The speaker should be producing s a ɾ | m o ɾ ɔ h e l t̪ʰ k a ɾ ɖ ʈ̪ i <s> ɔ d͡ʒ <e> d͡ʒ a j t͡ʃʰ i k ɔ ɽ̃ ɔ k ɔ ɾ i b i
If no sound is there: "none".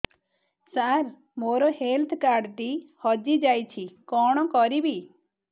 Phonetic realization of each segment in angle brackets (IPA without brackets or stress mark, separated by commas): h, i